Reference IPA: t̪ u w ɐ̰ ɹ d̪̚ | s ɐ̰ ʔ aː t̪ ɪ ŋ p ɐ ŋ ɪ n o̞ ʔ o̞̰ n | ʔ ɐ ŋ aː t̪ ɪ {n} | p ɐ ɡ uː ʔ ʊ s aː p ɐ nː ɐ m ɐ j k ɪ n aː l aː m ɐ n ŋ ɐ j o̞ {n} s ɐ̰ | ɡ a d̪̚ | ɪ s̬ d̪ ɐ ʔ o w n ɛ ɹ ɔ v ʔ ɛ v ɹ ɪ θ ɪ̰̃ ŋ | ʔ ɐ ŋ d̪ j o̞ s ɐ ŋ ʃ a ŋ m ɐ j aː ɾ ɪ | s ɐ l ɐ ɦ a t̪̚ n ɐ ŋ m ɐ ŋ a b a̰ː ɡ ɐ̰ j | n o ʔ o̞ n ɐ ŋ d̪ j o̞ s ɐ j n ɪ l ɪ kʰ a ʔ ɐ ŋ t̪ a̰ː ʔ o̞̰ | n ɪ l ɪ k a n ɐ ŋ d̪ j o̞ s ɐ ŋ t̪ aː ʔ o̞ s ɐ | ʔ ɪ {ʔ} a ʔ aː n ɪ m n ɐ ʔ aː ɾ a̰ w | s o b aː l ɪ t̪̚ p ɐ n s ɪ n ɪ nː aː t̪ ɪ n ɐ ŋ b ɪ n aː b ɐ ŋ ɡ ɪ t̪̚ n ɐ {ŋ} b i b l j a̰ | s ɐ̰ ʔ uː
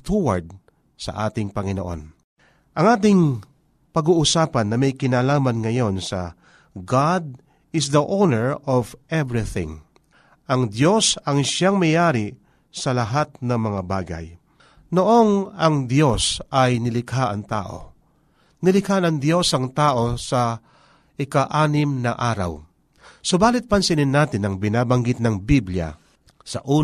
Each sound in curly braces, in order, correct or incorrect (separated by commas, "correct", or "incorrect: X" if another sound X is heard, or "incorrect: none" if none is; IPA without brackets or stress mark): incorrect: ŋ, correct, incorrect: k, correct